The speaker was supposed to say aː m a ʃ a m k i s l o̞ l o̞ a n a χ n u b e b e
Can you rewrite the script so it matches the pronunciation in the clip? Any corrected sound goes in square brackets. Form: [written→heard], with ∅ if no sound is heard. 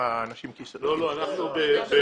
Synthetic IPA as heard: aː [m→n] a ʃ [a→i] m k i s l o̞ l o̞ a n a χ n u b e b e

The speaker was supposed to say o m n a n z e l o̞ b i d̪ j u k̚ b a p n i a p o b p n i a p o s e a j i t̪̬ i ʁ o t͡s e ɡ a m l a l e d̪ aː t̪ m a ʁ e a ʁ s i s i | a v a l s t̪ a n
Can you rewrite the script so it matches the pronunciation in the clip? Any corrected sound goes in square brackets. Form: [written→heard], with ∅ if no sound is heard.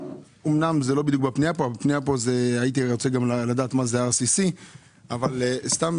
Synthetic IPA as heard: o m n a [n→m] z e l o̞ b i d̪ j u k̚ b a p n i a p o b p n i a p o [s→z] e a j i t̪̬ i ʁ o t͡s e ɡ a m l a l [e→a] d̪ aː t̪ m a [ʁ→z] e a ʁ s i s i | a v a l s t̪ a [n→m]

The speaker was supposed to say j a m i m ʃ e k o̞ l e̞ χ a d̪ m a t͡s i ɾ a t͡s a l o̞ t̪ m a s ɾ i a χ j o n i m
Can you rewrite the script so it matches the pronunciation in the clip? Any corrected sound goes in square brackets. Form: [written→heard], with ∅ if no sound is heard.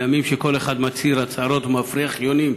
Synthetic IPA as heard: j a m i m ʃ e k o̞ l e̞ χ a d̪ m a t͡s i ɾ a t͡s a [l→ɾ] o̞ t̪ m a [s→f] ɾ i a χ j o n i m

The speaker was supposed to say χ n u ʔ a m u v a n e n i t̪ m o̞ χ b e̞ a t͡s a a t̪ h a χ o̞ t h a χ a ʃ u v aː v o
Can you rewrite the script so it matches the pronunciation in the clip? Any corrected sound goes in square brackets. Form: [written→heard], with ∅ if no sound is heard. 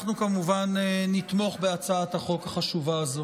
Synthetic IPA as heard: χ n u [ʔ→k] a m u v a n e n i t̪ m o̞ χ b e̞ a t͡s a a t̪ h a χ o̞ [t→k] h a χ a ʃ u v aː [v→z] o

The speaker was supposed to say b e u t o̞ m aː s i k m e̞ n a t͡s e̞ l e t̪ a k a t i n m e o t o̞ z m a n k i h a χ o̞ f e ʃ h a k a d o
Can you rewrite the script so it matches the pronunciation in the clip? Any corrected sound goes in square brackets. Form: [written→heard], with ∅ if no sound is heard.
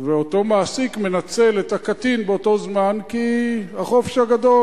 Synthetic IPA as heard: [b→v] e [u→o] t o̞ m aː s i k m e̞ n a t͡s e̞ l e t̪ a k a t i n [m→b] e o t o̞ z m a n k i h a χ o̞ f e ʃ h a [k→ɡ] a d o

